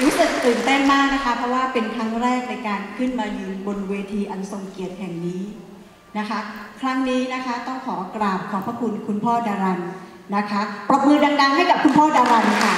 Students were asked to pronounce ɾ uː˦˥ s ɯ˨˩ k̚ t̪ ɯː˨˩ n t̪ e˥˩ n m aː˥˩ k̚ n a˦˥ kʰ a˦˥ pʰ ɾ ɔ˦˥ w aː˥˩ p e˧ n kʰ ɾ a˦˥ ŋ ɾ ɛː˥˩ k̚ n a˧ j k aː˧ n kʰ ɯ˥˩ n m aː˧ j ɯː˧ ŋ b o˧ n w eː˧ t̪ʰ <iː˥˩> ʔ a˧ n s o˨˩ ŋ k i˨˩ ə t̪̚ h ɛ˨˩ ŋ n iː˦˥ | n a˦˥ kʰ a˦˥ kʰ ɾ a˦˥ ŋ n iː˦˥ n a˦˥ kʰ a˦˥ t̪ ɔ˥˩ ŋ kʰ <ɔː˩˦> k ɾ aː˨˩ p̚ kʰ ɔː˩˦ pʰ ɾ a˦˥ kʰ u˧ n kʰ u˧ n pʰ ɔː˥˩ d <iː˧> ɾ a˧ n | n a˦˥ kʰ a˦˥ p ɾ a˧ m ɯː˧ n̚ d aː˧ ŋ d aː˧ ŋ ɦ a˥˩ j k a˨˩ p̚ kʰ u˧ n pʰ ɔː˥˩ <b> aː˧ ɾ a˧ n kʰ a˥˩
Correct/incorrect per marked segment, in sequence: incorrect: iː˧, correct, incorrect: aː˧, incorrect: d

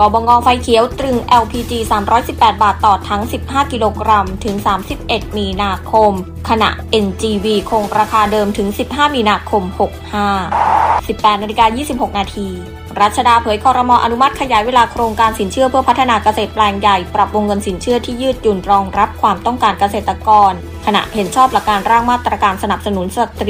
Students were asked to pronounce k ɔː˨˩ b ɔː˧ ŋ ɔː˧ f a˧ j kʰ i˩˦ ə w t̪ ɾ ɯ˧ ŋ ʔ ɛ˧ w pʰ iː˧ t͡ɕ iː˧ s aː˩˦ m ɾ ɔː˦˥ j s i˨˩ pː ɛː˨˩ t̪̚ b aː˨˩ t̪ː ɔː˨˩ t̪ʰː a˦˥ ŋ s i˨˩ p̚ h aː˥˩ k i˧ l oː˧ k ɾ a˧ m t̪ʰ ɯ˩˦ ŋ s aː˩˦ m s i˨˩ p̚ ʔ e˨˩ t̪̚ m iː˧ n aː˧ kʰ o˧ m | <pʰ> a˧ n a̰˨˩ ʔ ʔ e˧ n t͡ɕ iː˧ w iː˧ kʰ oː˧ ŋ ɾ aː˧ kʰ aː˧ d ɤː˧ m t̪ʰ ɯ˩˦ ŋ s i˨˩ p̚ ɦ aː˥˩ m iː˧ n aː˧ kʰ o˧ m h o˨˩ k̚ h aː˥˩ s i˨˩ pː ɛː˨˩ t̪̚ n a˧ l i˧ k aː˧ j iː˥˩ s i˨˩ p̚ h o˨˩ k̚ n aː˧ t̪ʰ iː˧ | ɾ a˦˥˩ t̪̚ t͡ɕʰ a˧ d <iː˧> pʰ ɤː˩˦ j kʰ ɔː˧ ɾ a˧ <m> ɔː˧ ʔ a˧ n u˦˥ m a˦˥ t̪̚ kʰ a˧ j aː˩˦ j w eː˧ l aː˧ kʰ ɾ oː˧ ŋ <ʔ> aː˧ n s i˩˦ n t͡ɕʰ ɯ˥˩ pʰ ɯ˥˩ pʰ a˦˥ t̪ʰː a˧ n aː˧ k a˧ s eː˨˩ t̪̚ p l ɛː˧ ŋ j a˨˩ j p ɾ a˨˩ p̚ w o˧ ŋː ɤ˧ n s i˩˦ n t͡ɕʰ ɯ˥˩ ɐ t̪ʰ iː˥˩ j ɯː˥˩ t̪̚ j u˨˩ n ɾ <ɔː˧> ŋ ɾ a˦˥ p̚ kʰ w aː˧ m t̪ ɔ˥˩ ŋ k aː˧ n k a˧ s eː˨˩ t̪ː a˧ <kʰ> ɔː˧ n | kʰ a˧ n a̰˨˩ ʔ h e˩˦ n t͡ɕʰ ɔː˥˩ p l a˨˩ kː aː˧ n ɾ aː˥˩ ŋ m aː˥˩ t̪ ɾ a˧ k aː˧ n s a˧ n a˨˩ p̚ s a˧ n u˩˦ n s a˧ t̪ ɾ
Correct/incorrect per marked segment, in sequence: incorrect: kʰ, incorrect: aː˧, correct, incorrect: k, correct, incorrect: k

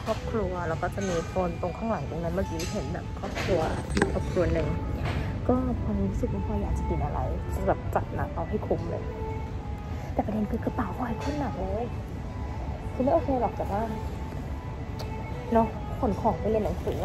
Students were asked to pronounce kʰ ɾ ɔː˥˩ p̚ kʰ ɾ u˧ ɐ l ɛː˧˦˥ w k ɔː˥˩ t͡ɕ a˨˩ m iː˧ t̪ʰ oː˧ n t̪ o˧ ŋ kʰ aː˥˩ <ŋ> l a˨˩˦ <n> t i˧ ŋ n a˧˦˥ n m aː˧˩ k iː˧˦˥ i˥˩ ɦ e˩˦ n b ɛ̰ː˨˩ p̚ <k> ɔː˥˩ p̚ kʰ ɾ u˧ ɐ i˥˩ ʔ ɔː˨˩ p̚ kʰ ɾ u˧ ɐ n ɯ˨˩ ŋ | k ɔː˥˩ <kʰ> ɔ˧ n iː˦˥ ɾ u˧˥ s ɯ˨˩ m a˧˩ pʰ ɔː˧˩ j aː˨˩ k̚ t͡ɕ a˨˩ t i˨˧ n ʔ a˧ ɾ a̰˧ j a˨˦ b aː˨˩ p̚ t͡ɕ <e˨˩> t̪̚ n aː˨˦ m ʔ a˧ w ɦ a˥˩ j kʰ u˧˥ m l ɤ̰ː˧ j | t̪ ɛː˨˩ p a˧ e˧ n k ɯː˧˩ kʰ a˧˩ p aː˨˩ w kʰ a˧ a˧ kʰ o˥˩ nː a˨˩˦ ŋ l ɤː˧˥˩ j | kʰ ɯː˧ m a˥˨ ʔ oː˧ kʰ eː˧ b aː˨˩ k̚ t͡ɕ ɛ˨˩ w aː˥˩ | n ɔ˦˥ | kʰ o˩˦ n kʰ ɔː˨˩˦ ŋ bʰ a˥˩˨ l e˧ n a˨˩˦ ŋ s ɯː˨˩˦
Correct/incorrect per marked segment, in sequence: correct, incorrect: ŋ, incorrect: kʰ, incorrect: pʰ, incorrect: a˨˩

